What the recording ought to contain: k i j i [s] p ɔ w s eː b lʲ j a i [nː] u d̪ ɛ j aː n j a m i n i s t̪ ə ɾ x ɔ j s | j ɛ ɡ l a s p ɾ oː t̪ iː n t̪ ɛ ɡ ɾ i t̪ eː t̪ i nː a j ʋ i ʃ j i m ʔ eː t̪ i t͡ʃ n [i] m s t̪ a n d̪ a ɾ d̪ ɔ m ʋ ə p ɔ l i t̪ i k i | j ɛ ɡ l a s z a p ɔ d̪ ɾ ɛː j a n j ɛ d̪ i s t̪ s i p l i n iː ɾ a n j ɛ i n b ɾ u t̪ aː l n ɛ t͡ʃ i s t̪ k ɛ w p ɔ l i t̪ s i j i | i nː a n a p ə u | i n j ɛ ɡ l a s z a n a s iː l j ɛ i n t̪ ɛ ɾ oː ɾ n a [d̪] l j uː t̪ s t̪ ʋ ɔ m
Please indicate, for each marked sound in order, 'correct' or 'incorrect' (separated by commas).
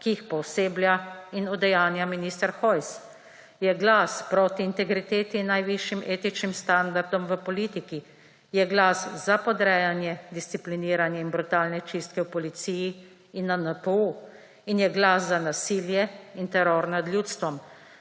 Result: incorrect, incorrect, correct, correct